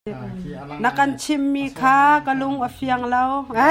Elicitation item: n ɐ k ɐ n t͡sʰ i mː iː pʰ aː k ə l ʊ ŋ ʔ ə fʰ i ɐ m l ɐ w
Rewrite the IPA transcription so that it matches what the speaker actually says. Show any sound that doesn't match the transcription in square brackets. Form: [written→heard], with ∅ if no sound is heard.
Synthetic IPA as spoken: n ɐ k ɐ n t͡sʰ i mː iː [pʰ→kʰ] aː k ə l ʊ ŋ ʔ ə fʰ i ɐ [m→ŋ] l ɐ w